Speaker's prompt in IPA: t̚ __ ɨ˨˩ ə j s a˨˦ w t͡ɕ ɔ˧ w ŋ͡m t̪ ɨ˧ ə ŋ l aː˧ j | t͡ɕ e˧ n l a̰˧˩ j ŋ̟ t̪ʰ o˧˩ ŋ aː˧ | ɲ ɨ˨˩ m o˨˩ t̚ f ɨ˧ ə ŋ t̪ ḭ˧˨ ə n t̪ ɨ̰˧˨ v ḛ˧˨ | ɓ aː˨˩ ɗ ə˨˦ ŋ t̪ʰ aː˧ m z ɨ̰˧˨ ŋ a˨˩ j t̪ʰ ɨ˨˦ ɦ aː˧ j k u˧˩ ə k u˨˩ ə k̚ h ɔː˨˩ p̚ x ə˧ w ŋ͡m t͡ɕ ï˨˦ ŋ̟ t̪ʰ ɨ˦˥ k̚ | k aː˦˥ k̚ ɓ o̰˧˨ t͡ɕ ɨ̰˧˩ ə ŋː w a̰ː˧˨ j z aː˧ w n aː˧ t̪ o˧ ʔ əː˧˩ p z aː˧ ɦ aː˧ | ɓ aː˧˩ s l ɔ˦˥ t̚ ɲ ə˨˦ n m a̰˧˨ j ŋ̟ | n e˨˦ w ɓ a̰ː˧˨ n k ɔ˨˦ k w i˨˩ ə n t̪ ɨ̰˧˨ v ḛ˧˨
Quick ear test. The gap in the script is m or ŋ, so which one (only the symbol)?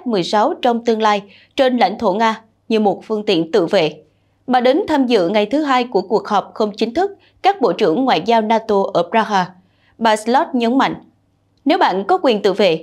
m